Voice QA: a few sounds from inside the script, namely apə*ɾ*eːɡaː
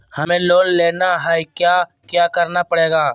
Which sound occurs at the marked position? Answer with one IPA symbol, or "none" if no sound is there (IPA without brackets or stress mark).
ɽ